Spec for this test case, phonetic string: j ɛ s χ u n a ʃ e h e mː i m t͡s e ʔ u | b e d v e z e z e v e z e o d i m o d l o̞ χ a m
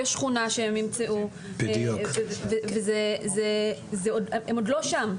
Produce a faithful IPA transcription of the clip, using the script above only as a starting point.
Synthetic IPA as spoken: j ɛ ʃ χ u n a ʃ e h e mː i m t͡s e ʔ u | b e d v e v e z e z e z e o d e m o d l o̞ ʃ a m